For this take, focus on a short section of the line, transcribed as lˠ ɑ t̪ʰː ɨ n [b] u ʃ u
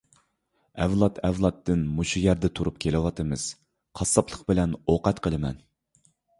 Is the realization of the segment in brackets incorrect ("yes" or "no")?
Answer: yes